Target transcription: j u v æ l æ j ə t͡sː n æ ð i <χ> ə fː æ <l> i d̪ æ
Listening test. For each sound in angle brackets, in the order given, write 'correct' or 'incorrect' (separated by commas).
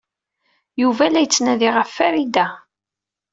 incorrect, incorrect